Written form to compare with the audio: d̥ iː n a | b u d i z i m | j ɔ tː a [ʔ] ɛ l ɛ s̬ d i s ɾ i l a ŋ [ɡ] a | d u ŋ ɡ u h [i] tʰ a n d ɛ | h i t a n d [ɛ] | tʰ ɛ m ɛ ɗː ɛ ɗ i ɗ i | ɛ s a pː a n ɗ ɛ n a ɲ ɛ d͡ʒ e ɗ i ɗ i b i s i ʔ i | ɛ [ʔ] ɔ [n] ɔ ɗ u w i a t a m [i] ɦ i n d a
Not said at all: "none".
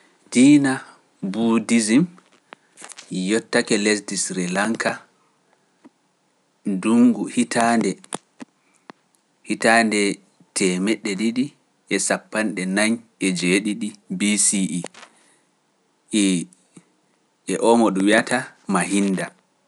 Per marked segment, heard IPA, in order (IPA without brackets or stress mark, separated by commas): k, k, i, ɛ, ʔ, m, a